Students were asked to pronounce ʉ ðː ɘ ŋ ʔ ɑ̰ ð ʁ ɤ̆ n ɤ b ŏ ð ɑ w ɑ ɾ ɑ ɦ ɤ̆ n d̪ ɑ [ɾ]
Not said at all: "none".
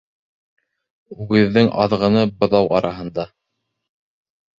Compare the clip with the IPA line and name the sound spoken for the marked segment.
none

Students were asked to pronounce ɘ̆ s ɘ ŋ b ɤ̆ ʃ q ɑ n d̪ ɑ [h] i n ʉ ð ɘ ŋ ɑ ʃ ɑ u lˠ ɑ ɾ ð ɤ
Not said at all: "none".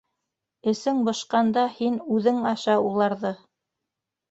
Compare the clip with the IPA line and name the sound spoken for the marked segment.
h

